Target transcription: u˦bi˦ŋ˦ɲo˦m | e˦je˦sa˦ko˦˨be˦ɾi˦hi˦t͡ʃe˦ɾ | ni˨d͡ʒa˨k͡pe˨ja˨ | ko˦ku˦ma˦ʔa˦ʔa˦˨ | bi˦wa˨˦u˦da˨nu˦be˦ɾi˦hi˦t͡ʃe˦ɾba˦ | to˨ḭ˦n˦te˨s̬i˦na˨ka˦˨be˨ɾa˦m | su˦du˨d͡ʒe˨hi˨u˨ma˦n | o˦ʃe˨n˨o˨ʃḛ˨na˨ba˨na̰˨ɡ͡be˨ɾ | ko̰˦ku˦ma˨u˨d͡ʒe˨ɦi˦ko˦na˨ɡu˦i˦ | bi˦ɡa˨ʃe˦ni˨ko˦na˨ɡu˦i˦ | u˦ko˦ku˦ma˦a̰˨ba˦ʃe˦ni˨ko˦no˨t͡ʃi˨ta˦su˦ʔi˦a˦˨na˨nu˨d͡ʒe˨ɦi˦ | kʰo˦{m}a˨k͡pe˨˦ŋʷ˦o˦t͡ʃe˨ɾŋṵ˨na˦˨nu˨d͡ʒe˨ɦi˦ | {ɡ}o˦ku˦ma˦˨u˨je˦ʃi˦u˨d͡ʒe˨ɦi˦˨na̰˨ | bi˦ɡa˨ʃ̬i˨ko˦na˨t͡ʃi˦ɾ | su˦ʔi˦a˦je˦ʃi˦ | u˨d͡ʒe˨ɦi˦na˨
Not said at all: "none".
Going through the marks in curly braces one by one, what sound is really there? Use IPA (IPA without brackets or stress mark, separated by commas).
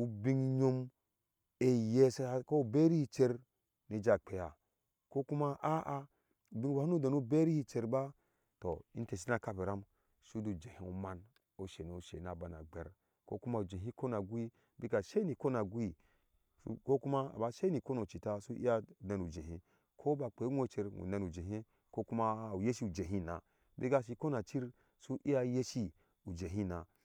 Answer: b, k